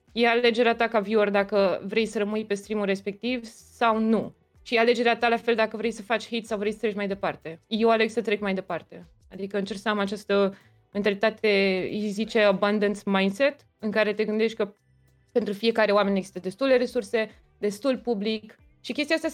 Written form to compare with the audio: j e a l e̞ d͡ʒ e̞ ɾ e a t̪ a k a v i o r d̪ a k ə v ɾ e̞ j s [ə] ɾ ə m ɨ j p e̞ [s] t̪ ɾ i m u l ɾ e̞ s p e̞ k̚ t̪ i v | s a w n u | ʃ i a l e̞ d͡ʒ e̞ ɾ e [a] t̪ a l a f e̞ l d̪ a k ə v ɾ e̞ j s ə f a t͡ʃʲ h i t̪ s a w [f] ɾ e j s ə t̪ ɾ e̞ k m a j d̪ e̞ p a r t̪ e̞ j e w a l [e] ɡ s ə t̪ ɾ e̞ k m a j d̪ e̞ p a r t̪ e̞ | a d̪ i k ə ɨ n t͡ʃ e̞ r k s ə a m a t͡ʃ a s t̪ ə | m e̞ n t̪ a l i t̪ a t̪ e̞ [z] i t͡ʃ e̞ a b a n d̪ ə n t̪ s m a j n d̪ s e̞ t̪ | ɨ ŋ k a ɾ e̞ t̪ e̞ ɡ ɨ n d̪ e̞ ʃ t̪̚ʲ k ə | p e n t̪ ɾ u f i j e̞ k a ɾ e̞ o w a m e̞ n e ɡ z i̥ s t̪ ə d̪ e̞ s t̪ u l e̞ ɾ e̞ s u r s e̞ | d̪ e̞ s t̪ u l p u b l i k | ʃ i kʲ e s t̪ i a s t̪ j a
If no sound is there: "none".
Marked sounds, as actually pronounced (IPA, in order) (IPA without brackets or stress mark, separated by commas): ə, s, a, v, e, z